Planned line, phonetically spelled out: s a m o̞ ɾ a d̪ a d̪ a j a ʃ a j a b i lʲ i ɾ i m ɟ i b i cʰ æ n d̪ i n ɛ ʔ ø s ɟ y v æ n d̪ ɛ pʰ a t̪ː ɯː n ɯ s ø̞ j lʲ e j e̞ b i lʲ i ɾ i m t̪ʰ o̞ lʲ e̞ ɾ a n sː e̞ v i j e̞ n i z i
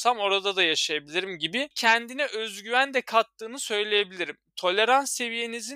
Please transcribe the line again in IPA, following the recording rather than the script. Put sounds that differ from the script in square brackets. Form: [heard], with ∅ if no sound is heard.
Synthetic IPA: s a m o̞ ɾ a d̪ a d̪ a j a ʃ a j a b i lʲ i ɾ i m ɟ i b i cʰ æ n d̪ i n ɛ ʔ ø [z] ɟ y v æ n d̪ ɛ [kʰ] a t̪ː ɯː n ɯ s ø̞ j lʲ e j e̞ b i lʲ i ɾ i m t̪ʰ o̞ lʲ e̞ ɾ a n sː e̞ v i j e̞ n i z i